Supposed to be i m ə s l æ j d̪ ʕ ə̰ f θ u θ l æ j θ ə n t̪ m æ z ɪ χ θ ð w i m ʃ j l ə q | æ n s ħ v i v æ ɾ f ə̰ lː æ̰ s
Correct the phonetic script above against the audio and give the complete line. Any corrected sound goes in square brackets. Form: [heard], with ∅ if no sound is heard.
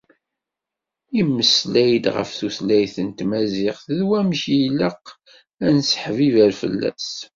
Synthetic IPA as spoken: i m ə s l æ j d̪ [ʁ] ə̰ f θ u θ l æ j θ ə n t̪ m æ z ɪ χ θ ð w [æ] m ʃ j l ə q | æ n s ħ v i v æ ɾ f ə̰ lː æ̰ s